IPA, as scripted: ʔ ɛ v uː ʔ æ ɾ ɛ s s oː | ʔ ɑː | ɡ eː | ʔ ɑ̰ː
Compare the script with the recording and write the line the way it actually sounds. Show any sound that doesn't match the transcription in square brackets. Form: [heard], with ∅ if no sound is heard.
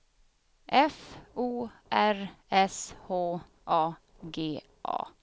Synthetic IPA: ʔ ɛ [f] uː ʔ æ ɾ ɛ s [h] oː | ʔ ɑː | ɡ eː | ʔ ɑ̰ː